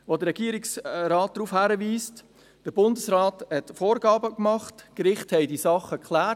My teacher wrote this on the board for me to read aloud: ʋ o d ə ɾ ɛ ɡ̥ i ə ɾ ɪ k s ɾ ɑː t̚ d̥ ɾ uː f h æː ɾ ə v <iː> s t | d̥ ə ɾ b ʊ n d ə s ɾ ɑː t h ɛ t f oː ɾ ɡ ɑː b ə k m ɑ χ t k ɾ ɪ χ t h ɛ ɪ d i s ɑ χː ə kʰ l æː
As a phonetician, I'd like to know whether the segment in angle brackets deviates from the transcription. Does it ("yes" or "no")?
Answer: no